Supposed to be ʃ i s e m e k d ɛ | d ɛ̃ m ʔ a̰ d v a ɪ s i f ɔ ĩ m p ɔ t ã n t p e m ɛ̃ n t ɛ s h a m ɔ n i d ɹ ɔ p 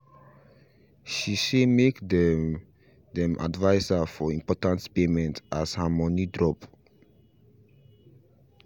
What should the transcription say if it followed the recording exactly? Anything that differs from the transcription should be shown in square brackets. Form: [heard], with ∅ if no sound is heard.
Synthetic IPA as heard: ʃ i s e m e k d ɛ | d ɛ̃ m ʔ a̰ d v a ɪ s [a] f ɔ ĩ m p ɔ t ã n t p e m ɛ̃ n t [a] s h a m ɔ n i d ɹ ɔ p